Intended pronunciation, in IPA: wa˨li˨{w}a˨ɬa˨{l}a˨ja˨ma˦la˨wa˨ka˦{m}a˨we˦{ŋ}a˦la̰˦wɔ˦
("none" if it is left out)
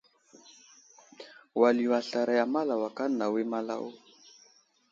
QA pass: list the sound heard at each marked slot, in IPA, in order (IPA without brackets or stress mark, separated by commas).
w, ɾ, n, m